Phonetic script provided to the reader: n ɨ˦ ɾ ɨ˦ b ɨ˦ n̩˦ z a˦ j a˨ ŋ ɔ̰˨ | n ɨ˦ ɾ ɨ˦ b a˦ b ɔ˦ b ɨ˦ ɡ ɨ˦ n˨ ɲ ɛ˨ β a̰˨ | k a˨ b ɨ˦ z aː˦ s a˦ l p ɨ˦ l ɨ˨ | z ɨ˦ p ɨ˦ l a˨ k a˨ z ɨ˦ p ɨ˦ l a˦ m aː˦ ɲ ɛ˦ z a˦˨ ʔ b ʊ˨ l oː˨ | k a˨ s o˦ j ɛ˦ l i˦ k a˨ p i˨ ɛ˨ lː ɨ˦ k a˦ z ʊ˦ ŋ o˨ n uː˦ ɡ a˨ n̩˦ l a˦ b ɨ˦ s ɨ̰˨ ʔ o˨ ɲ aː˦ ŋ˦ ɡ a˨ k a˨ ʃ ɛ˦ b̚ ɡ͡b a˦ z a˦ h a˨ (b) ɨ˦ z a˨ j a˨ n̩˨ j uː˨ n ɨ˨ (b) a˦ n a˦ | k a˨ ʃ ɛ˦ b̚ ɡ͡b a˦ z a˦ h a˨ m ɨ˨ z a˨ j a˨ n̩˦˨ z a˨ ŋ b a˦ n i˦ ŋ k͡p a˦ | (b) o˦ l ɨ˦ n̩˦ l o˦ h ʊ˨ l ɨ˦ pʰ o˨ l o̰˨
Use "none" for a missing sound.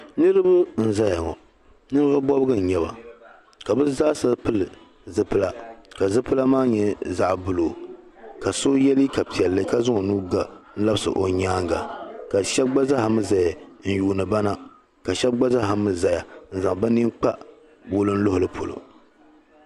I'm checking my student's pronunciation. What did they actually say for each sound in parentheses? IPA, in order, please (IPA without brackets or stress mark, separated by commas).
m, b, b